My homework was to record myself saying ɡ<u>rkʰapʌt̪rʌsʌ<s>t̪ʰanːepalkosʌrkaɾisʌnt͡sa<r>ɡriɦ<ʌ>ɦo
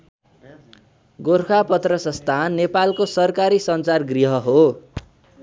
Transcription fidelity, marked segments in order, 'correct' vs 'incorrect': incorrect: o, correct, correct, correct

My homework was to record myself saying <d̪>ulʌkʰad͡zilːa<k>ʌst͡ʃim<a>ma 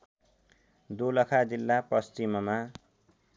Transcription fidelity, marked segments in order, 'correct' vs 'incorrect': correct, incorrect: p, incorrect: ʌ

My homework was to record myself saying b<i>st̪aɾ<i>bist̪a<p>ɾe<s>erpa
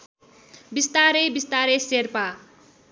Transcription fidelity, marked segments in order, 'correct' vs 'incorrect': correct, incorrect: e, incorrect: none, correct

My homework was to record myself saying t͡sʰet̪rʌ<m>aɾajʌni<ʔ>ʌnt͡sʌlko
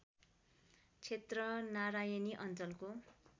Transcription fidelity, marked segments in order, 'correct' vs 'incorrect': incorrect: n, correct

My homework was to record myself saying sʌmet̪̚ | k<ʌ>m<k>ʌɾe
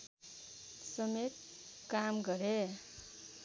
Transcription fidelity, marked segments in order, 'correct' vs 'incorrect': incorrect: a, incorrect: ɡ

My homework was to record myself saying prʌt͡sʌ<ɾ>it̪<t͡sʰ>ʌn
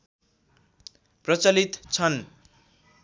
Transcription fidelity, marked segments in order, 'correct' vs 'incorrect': incorrect: l, correct

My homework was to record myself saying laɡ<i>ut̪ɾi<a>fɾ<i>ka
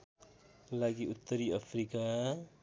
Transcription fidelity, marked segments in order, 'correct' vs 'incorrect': correct, correct, correct

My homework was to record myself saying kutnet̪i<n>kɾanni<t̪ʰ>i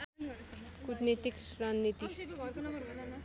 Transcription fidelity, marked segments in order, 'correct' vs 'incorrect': incorrect: none, incorrect: t̪

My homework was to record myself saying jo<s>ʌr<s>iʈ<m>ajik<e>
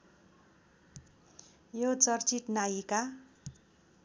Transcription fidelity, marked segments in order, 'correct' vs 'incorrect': incorrect: t͡s, incorrect: t͡s, incorrect: n, incorrect: a

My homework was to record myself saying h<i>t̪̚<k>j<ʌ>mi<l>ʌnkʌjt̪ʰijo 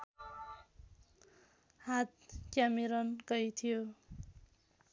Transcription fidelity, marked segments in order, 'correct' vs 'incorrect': incorrect: a, correct, incorrect: a, incorrect: ɾ

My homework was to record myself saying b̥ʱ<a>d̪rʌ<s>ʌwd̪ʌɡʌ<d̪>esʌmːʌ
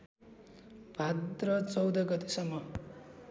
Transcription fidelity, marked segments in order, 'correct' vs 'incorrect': correct, incorrect: t͡s, incorrect: t̪

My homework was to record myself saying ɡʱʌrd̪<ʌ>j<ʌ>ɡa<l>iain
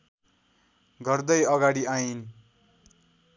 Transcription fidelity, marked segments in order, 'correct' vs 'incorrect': correct, correct, incorrect: ɽ

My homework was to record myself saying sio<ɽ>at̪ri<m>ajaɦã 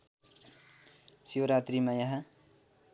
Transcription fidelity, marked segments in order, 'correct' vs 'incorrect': incorrect: ɾ, correct

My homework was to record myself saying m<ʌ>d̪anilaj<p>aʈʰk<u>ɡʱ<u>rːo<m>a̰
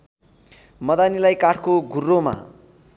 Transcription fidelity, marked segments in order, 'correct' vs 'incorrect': correct, incorrect: k, incorrect: o, correct, correct

